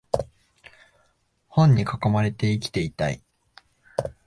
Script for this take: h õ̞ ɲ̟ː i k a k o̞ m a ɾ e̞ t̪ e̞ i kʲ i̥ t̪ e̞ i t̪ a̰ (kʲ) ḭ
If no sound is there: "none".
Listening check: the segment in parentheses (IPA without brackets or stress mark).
none